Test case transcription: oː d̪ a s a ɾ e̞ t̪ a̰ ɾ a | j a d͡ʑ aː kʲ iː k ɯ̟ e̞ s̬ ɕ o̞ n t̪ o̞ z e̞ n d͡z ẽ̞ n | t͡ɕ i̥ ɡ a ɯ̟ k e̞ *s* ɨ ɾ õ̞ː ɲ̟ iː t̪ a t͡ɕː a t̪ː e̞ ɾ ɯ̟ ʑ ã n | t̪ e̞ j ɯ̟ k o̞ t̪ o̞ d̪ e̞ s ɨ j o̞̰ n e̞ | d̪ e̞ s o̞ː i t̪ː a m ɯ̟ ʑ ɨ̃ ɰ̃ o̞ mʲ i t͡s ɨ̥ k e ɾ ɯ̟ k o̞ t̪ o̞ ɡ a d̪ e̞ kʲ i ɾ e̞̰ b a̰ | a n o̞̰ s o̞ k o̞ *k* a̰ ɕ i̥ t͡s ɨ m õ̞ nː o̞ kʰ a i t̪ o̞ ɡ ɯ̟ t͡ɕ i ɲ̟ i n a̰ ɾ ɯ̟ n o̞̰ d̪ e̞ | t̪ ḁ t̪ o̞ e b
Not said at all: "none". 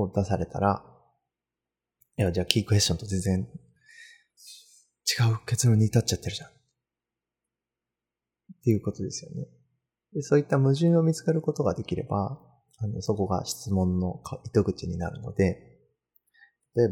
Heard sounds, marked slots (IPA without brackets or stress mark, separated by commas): t͡s, ɡ